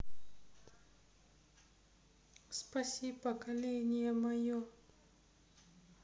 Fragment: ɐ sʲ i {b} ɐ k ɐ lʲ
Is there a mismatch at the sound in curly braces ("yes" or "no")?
yes